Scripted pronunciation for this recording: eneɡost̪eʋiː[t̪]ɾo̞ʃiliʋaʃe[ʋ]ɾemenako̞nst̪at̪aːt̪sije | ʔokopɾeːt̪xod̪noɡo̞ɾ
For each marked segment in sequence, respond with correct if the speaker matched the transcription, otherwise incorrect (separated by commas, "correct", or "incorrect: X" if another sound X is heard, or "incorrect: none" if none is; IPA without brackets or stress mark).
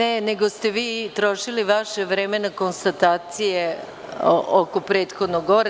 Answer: correct, correct